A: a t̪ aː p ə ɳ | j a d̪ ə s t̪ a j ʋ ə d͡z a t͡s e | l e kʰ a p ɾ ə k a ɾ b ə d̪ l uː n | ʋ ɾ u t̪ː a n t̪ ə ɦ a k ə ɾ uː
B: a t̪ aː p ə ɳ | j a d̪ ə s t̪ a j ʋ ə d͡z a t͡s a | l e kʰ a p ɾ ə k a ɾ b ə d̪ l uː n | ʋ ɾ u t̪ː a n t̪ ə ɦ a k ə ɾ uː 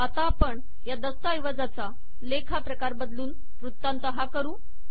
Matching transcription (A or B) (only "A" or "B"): B